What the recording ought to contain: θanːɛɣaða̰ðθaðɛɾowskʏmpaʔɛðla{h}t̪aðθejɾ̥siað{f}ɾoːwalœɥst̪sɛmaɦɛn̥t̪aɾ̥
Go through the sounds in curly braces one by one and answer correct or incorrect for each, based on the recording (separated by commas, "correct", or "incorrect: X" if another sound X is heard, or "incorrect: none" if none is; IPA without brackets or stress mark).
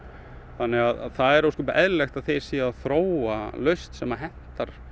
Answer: incorrect: x, incorrect: θ